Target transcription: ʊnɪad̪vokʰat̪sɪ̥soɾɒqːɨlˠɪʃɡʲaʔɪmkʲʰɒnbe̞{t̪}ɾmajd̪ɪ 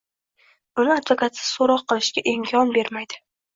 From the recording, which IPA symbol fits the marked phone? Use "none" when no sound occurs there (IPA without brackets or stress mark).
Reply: none